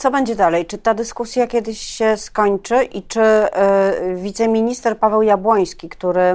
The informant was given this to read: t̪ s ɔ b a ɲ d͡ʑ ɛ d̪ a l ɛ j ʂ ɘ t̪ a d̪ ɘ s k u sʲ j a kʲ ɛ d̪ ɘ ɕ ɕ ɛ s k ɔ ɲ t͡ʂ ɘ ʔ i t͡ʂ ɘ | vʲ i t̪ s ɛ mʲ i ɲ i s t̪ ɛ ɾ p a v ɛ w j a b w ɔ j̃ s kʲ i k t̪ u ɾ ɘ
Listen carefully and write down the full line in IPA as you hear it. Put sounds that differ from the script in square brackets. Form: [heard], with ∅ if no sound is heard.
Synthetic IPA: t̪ s ɔ b [ɛ] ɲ d͡ʑ ɛ d̪ a l ɛ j [t͡ʂ] ɘ t̪ a d̪ ɘ s k u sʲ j a kʲ ɛ d̪ ɘ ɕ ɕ ɛ s k ɔ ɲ t͡ʂ ɘ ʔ i t͡ʂ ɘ | vʲ i t̪ s ɛ mʲ i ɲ i s t̪ ɛ ɾ p a v ɛ w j a b w ɔ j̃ s kʲ i k t̪ u ɾ ɘ